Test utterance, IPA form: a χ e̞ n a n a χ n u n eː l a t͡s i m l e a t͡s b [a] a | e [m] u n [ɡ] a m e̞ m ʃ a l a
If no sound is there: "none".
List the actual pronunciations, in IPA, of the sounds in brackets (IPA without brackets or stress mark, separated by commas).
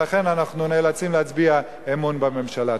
i, m, b